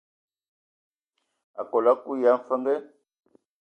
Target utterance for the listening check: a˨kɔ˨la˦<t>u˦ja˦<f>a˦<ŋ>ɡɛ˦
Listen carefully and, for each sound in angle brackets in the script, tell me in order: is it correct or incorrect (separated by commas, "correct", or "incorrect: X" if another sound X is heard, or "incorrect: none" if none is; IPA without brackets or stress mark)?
incorrect: k, correct, correct